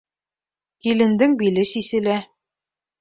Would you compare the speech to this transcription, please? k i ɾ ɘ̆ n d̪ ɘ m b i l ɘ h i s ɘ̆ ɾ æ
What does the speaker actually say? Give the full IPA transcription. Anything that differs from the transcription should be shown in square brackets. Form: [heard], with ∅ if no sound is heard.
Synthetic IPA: k i [l] ɘ̆ n d̪ ɘ [ŋ] b i l ɘ [s] i s ɘ̆ [l] æ